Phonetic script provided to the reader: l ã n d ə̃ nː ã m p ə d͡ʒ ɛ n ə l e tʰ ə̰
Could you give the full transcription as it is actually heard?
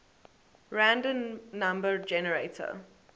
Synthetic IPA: ɹ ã n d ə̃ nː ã m b ə d͡ʒ ɛ n ə ɹ e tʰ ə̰